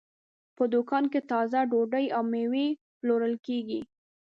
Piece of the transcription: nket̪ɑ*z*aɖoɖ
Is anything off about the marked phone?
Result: no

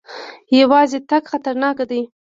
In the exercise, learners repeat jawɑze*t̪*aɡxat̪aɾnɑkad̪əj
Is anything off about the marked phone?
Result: no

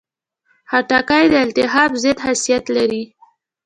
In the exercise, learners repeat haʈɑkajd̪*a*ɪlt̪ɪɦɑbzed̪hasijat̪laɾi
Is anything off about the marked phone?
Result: yes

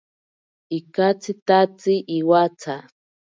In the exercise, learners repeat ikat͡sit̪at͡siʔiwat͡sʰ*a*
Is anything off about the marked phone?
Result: no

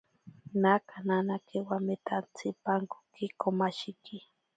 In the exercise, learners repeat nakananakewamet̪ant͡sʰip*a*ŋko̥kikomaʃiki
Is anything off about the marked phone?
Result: no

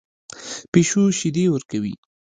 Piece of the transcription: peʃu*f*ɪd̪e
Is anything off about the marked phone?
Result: yes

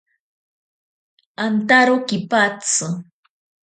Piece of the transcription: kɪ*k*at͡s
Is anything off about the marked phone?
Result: yes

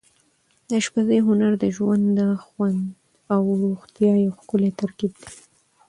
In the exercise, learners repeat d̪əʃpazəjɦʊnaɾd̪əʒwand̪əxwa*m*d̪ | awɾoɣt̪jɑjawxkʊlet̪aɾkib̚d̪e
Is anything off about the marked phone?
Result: yes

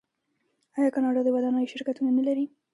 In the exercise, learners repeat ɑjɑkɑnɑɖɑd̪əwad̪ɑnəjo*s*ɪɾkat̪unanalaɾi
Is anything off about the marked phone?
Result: yes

